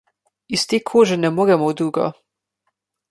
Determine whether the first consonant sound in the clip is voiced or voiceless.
voiceless